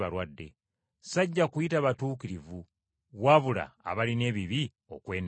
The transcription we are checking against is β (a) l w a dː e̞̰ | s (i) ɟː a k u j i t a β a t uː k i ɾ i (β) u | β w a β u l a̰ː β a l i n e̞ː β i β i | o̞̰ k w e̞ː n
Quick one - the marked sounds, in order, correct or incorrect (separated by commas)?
correct, incorrect, incorrect